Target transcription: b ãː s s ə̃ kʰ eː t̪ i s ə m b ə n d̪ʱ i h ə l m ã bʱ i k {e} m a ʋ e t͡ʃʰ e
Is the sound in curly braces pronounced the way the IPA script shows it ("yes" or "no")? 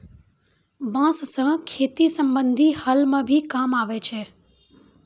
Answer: no